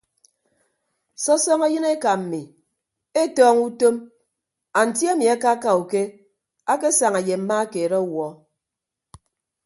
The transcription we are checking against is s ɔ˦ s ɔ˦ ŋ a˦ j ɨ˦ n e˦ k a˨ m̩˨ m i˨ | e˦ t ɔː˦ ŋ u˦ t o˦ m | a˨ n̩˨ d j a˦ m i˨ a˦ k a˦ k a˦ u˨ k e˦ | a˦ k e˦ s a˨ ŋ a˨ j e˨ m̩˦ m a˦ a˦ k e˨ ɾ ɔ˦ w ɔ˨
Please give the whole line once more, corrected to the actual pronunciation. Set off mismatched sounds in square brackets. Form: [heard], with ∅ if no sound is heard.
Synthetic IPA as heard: s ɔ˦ s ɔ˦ ŋ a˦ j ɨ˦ n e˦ k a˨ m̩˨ m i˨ | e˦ t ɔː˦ ŋ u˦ t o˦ m | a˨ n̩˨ [t] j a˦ m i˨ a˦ k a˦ k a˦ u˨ k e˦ | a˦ k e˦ s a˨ ŋ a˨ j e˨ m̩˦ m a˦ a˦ k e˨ ɾ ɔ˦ w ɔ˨